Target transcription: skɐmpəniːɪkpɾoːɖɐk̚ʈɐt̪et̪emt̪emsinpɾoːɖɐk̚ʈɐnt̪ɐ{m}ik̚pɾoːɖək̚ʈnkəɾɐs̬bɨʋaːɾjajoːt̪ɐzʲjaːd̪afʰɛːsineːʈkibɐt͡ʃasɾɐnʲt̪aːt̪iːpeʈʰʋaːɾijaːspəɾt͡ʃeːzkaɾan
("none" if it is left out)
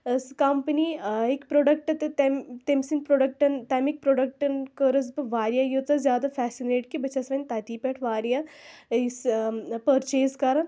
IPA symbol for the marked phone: m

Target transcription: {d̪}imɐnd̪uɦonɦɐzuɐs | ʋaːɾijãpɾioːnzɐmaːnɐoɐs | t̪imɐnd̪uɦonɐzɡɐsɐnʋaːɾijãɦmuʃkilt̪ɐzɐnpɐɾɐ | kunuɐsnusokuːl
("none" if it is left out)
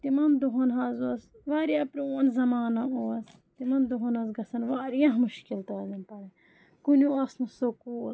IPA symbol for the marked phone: t̪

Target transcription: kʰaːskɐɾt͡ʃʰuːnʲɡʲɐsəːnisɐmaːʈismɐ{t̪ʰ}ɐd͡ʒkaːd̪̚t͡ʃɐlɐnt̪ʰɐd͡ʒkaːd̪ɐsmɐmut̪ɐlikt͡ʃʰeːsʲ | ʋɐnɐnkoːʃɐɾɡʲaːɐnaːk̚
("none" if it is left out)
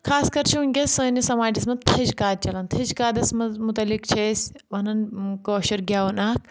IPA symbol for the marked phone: t̪ʰ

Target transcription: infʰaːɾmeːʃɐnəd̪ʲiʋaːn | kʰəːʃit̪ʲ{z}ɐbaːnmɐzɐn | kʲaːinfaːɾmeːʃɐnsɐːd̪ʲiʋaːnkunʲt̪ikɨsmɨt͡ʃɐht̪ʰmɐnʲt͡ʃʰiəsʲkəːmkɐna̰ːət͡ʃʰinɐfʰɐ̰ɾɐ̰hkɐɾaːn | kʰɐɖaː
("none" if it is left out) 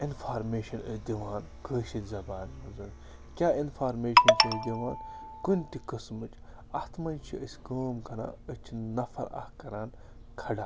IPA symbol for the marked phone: z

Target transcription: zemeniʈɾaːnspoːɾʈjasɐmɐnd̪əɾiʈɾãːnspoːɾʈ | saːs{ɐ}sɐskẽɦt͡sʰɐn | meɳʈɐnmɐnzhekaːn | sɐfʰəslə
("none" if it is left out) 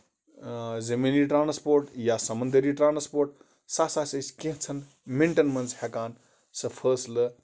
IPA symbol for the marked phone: a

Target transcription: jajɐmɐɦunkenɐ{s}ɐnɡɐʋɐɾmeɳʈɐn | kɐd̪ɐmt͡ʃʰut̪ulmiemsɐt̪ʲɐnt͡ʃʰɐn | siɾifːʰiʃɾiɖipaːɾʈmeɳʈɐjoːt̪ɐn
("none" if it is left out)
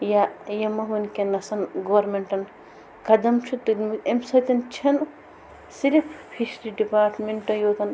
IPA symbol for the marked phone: s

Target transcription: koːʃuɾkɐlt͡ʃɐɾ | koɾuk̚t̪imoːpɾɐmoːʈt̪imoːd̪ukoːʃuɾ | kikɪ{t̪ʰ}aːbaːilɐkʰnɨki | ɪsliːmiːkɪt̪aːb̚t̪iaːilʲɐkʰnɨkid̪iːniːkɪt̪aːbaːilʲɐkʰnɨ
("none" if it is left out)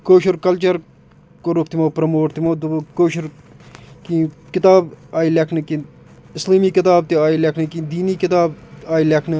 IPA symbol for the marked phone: t̪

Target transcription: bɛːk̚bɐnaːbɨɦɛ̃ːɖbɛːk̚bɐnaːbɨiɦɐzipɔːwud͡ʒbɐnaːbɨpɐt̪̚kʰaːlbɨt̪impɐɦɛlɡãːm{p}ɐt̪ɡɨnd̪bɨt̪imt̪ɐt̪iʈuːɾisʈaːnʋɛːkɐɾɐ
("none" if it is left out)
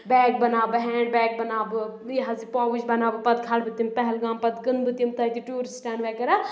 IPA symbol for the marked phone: p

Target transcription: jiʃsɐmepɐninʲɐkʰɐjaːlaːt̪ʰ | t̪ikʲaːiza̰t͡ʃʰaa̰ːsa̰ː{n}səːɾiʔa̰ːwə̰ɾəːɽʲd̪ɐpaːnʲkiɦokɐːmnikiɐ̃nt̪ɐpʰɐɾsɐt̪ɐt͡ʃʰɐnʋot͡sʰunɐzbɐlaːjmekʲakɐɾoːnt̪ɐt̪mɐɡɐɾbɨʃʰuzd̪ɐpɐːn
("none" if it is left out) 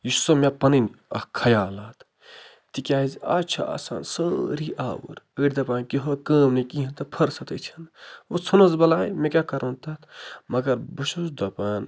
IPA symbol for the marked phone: n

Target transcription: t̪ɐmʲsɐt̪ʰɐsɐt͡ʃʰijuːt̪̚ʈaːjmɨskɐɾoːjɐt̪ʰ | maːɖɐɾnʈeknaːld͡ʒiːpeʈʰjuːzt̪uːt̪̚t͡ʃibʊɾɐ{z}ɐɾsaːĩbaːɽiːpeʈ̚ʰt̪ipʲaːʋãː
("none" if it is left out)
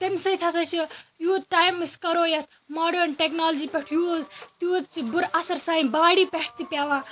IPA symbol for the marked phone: s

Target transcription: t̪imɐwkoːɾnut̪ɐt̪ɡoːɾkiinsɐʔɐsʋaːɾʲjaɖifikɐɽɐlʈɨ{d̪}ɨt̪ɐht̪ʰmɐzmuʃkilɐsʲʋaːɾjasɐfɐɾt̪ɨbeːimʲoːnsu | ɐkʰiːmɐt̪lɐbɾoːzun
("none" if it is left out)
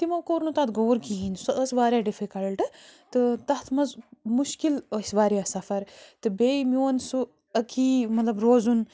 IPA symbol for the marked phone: t̪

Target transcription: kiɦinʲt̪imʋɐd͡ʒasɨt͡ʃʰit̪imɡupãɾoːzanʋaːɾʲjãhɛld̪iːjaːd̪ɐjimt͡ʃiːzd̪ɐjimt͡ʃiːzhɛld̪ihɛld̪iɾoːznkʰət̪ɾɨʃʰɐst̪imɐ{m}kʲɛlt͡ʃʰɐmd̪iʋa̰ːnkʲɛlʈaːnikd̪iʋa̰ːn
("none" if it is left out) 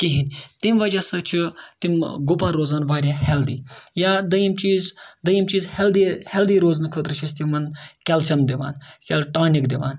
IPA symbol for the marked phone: n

